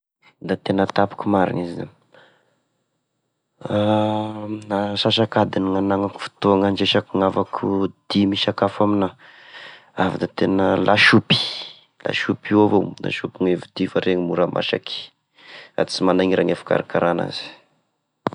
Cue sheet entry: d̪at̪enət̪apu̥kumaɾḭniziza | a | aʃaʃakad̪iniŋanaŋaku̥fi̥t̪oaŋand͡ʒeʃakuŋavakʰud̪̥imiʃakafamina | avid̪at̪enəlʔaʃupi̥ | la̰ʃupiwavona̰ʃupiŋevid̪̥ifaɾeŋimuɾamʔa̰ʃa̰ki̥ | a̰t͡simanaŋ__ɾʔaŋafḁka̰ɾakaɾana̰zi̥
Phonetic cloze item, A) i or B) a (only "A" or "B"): A